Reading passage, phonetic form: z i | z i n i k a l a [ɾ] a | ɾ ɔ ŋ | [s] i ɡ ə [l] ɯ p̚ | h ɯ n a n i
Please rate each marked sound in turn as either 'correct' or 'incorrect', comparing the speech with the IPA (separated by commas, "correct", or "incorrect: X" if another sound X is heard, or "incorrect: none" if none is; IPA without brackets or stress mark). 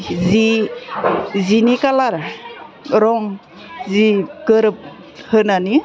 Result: correct, incorrect: z, incorrect: ɾ